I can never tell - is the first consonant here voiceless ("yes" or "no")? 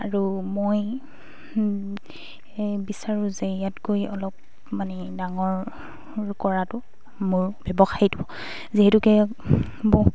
no